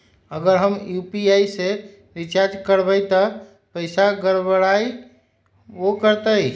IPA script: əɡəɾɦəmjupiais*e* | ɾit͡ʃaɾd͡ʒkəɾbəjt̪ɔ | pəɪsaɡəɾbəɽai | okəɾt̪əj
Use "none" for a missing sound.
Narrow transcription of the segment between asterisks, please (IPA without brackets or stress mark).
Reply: e